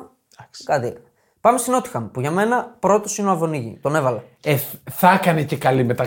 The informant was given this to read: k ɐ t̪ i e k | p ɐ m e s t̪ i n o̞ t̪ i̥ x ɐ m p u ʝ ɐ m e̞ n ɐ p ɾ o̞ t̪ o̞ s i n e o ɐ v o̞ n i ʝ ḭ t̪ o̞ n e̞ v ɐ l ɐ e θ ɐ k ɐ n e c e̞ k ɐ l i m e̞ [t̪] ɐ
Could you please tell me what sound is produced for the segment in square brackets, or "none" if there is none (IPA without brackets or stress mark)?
t̪